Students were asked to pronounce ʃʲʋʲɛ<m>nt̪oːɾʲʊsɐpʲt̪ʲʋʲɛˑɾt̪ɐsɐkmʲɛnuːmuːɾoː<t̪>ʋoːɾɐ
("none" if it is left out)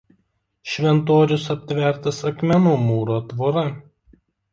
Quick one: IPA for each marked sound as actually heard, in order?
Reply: none, t̪

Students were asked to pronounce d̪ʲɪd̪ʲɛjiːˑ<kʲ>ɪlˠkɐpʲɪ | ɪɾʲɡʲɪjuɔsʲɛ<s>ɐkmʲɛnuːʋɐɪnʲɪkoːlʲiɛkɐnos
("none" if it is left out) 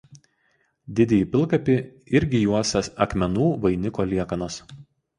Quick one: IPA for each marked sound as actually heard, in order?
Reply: pʲ, s

